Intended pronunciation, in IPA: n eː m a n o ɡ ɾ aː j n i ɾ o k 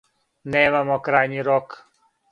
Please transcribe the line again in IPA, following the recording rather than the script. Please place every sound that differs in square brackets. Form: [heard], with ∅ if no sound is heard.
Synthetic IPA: n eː m a [m] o [k] ɾ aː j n i ɾ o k